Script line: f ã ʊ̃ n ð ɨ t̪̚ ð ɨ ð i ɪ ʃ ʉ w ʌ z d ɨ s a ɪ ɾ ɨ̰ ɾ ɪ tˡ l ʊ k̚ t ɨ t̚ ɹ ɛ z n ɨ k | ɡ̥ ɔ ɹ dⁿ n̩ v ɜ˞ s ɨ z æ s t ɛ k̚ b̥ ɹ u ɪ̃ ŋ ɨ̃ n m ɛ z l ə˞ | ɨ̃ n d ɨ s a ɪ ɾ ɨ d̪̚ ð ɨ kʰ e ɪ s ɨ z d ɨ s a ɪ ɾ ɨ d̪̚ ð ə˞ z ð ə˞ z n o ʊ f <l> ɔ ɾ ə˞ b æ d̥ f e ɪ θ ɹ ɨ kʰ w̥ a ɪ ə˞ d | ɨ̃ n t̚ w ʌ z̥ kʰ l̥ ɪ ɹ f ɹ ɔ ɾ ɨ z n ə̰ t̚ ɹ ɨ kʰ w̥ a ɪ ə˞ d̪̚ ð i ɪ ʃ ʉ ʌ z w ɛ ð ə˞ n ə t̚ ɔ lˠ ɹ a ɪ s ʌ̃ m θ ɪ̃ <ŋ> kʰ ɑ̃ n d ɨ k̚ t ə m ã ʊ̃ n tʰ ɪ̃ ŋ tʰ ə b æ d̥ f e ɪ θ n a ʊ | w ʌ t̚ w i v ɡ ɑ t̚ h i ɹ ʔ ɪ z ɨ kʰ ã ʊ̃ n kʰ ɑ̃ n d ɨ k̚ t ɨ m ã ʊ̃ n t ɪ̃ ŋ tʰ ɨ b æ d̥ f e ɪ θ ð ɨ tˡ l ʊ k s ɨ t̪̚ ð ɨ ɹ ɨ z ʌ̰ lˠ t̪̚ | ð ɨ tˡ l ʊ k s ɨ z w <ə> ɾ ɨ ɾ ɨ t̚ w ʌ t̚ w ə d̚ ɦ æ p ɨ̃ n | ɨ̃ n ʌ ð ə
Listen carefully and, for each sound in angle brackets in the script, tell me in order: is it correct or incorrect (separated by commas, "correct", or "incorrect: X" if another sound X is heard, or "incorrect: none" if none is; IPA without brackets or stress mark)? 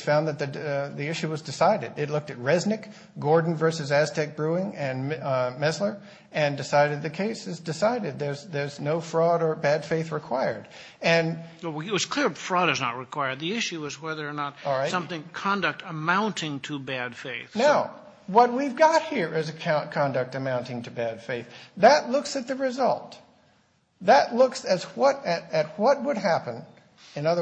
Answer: incorrect: ɹ, correct, incorrect: ʌ